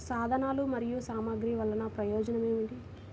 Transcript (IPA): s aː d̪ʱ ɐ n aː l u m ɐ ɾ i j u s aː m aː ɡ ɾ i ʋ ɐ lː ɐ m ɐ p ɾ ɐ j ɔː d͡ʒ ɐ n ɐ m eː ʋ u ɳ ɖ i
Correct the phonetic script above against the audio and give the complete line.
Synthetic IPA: s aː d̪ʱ ɐ n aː l u m ɐ ɾ i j u s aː m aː ɡ ɾ i ʋ ɐ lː ɐ n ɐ p ɾ ɐ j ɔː d͡ʒ ɐ n ɐ m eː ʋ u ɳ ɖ i